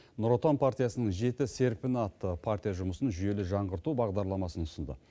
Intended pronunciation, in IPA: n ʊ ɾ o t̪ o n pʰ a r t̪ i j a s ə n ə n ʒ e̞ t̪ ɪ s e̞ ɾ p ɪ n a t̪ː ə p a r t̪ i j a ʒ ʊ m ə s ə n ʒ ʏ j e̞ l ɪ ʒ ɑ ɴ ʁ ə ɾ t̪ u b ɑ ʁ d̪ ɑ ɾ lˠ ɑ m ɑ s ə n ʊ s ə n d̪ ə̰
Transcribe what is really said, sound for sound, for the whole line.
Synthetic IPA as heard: n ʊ ɾ o t̪ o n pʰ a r t̪ i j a s ə n ə ɴ ʒ e̞ t̪ ɪ s e̞ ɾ p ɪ n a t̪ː ə pʰ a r t̪ i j a ʒ ʊ m ə s ə n ʒ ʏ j e̞ l ɪ ʒ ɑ ɴ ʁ ə ɾ t̪ u b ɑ ʁ d̪ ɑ ɾ lˠ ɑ m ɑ s ə n ʊ s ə n d̪ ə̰